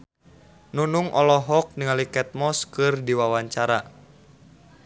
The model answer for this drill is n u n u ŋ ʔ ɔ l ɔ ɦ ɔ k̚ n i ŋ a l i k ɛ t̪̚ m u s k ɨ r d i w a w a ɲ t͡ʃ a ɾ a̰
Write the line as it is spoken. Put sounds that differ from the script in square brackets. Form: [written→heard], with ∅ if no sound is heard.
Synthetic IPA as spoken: n u n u ŋ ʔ ɔ l ɔ ɦ ɔ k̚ n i ŋ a l i k ɛ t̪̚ m [u→ɔ] s k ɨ r d i w a w a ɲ t͡ʃ a ɾ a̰